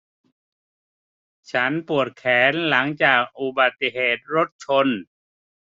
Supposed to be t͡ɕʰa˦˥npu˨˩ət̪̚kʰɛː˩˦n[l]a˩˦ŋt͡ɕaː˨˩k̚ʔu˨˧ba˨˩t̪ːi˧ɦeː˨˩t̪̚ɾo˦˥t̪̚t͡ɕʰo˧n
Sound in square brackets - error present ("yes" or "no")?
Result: no